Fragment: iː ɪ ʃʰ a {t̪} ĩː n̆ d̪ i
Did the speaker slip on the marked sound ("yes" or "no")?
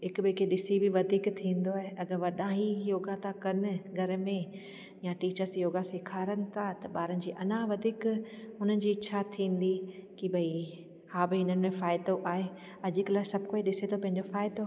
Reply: yes